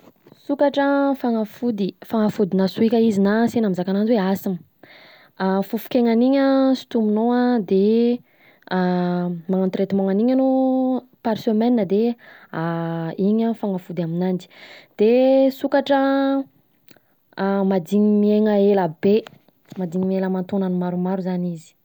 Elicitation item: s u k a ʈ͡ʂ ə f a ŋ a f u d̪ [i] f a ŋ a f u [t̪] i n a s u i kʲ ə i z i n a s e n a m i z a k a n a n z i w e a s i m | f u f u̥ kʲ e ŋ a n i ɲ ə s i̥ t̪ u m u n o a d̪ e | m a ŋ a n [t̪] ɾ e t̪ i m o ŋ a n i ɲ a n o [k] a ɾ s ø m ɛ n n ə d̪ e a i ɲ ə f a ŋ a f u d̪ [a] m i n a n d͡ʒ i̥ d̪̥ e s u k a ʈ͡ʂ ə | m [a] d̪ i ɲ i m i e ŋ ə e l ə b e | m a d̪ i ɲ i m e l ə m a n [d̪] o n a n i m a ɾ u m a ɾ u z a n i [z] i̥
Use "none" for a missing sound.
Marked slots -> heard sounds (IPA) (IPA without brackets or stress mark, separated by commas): i, d̪, t̪, p, a, a, t̪, z